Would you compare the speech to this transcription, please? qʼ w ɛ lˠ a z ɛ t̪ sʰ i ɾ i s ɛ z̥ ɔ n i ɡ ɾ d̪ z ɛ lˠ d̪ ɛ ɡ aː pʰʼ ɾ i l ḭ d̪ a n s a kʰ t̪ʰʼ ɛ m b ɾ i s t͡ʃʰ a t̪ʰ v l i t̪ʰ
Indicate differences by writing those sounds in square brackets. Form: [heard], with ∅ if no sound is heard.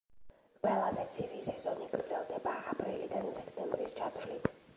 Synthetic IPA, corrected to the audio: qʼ w ɛ lˠ a z ɛ t̪ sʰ i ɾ i s ɛ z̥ ɔ n i ɡ ɾ d̪ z ɛ lˠ d̪ ɛ [b] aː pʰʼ ɾ i l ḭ d̪ a n s [ɛ] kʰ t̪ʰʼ ɛ m b ɾ i s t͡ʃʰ a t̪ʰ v l i t̪ʰ